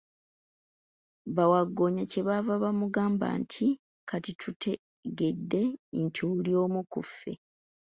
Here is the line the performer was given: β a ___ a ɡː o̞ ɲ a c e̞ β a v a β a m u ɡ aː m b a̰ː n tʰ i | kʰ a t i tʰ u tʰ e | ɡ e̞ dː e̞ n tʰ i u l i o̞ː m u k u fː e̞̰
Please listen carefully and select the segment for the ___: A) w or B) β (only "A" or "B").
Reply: A